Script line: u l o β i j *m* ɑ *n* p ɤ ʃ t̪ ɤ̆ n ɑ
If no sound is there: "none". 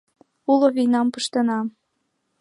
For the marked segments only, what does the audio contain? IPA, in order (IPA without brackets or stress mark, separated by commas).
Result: n, m